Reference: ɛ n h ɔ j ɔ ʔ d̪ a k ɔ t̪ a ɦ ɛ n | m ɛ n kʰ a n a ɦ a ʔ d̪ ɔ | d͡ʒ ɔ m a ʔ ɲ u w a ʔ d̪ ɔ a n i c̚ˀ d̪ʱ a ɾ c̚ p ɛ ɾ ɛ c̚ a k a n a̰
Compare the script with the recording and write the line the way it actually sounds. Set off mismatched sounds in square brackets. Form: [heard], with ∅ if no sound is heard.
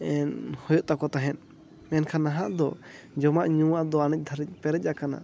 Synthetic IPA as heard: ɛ n h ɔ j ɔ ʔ [t̪] a k ɔ t̪ a ɦ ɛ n | m ɛ n kʰ a n a ɦ a ʔ d̪ ɔ | d͡ʒ ɔ m a ʔ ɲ u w a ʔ d̪ ɔ a n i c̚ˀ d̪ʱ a ɾ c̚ p ɛ ɾ ɛ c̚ a k a n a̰